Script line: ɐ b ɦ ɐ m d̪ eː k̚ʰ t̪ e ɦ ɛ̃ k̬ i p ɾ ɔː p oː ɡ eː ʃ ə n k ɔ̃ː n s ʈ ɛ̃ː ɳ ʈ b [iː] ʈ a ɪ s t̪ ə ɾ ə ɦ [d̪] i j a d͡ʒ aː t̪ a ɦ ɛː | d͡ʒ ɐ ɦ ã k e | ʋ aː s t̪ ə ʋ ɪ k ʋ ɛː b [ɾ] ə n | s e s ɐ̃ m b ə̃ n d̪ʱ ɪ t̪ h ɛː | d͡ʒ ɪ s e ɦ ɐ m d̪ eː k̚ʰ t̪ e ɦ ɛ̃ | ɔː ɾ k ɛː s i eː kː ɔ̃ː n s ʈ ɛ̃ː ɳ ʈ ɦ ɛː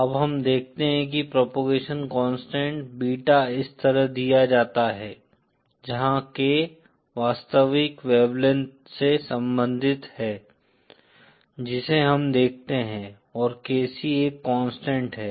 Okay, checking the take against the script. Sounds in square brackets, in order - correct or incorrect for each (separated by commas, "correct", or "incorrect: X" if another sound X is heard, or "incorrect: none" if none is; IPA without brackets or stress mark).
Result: correct, correct, incorrect: l